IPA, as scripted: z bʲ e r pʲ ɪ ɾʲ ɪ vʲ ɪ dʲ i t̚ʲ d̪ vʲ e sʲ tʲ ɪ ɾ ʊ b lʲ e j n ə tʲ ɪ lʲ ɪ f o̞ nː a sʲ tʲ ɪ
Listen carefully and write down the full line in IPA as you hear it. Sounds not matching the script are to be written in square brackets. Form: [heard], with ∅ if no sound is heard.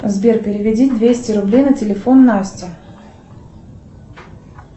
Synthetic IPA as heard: z bʲ e r pʲ ɪ ɾʲ ɪ vʲ ɪ dʲ i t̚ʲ d̪ vʲ e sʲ tʲ ɪ ɾ ʊ b lʲ e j n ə tʲ ɪ lʲ ɪ f o̞ nː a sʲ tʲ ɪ